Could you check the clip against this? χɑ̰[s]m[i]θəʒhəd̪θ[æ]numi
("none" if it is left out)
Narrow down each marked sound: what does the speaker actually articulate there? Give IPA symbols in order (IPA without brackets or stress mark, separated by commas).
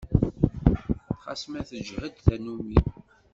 s, æ, æ